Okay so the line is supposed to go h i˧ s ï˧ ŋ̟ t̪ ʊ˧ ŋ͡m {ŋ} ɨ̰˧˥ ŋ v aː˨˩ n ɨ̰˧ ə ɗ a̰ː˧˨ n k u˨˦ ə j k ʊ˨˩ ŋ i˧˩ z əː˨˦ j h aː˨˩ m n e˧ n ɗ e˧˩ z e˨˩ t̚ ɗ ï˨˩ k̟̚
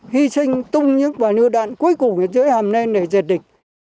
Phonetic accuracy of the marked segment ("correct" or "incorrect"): incorrect